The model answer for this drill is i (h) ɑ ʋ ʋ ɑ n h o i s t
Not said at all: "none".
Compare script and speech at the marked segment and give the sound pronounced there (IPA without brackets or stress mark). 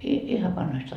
h